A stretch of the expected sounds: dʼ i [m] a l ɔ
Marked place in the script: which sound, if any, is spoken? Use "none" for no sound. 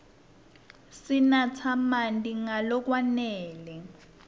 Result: ŋ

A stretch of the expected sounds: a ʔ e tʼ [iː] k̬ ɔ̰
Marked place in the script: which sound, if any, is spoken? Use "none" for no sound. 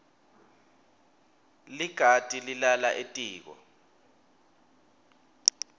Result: iː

